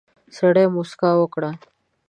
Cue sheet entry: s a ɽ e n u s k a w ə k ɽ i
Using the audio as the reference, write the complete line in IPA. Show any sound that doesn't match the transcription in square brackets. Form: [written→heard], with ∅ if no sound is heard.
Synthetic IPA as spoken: s [a→ə] ɽ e [n→m] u s k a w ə k ɽ [i→a]